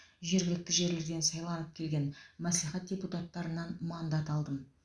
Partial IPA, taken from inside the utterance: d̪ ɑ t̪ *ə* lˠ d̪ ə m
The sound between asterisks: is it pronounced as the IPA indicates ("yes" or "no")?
no